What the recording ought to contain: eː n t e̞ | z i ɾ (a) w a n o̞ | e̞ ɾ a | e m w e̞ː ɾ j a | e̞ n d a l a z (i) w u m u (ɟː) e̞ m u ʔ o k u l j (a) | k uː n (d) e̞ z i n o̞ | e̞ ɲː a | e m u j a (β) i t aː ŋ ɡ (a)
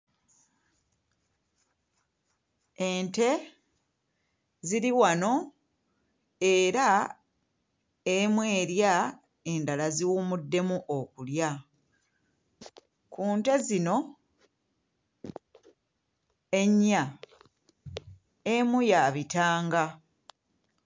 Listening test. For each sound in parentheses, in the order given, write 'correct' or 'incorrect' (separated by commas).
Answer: incorrect, correct, incorrect, correct, incorrect, correct, correct